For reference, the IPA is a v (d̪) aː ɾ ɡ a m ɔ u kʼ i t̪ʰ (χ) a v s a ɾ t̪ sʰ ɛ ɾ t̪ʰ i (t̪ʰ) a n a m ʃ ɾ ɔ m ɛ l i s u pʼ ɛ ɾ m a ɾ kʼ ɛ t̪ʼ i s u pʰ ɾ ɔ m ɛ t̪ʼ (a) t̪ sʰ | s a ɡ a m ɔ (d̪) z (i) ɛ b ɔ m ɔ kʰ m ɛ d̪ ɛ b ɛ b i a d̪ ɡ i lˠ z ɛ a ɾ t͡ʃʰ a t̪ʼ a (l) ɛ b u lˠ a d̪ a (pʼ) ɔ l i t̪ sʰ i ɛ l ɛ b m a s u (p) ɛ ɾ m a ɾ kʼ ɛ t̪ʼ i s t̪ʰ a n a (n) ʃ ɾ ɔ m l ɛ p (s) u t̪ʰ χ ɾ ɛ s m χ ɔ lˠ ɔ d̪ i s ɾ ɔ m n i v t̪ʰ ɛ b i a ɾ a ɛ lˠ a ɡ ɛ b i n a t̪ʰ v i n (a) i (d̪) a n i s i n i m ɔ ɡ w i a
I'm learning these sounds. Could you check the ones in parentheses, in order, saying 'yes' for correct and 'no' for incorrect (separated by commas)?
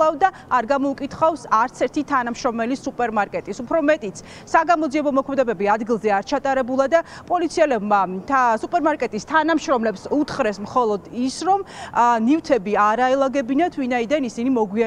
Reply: yes, yes, yes, no, yes, yes, no, yes, no, no, yes, yes, yes